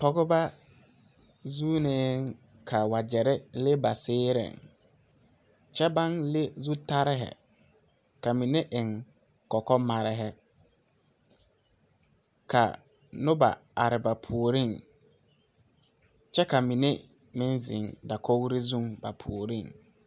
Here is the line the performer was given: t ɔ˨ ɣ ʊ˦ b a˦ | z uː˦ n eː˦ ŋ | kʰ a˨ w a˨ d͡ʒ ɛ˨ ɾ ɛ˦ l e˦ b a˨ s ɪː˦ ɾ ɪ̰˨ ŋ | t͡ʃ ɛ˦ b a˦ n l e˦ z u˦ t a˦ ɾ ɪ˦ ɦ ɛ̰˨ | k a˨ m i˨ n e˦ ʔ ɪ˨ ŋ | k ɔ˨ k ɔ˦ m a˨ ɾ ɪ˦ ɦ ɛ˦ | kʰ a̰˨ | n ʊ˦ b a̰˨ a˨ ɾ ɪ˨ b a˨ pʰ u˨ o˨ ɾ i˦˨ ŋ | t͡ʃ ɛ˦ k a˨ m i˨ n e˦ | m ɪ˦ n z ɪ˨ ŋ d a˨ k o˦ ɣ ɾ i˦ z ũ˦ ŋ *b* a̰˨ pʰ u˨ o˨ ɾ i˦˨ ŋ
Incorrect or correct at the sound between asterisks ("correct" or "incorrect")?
correct